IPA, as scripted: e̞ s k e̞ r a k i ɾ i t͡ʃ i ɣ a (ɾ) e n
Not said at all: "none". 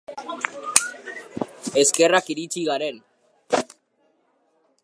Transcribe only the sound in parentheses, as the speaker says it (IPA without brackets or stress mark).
ɾ